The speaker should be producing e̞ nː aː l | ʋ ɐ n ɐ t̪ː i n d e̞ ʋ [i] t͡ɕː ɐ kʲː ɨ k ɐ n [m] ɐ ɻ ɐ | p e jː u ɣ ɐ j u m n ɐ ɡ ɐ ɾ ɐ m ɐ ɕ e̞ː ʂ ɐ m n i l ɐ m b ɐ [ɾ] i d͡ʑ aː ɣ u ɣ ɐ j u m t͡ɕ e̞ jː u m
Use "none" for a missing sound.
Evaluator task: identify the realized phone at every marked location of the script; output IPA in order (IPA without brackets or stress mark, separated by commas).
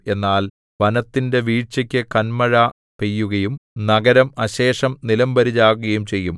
iː, m, ɾ